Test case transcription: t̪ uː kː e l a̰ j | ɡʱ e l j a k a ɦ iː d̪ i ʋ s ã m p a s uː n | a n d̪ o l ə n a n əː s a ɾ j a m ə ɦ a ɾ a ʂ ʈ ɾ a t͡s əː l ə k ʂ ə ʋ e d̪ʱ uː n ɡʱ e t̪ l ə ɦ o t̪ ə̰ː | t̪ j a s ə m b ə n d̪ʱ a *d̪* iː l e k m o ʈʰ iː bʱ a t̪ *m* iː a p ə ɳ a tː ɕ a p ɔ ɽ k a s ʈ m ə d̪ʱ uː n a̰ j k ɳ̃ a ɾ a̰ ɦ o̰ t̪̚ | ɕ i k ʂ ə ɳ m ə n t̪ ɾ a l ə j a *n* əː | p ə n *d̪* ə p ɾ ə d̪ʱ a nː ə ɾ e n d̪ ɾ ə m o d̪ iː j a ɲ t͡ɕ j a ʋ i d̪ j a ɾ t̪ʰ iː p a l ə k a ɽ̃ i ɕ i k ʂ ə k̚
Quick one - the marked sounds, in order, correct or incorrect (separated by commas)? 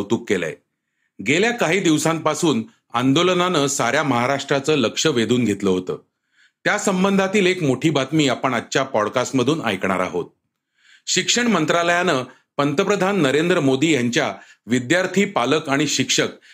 incorrect, correct, correct, incorrect